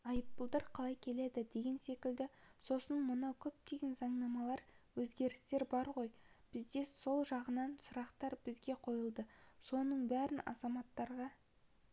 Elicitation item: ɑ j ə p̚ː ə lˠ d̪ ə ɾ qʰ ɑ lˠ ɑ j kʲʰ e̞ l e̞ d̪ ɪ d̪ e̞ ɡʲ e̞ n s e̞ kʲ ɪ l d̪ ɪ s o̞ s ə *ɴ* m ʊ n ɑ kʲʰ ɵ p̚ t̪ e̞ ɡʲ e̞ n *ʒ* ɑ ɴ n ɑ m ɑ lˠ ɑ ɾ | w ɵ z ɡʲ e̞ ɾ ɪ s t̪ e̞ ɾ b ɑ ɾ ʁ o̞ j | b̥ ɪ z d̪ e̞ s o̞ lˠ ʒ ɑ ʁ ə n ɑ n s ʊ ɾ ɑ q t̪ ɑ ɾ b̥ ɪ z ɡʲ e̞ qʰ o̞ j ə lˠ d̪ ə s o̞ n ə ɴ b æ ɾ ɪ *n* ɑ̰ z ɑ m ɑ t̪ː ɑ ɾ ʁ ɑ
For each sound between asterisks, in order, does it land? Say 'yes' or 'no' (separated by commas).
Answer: no, no, yes